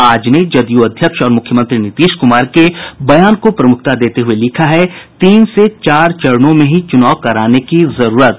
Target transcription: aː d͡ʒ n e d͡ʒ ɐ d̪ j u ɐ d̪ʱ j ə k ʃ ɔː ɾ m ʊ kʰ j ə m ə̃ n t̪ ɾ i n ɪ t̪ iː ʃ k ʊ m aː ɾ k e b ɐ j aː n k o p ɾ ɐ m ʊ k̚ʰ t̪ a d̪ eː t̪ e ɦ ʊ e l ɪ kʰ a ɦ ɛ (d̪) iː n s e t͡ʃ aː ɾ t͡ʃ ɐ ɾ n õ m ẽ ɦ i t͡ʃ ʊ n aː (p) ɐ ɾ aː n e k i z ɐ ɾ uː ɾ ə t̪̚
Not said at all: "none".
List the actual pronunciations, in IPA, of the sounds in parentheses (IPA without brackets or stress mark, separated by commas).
t̪, k